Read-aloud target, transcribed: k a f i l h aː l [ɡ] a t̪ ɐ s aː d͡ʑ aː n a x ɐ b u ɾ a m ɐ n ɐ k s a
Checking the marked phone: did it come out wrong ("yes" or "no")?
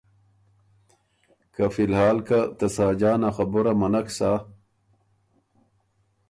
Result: yes